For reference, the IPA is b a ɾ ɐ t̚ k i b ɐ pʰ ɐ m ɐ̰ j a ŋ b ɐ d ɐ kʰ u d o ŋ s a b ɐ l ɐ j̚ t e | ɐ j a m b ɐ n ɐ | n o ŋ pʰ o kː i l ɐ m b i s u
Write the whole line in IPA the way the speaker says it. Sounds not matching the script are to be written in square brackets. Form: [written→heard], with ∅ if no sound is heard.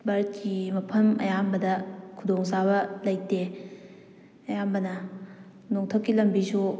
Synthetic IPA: b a ɾ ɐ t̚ k i [b→m] ɐ pʰ ɐ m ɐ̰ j a [ŋ→m] b ɐ d ɐ kʰ u d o ŋ s a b ɐ l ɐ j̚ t e | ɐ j a m b ɐ n ɐ | n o ŋ [pʰ→tʰ] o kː i l ɐ m b i s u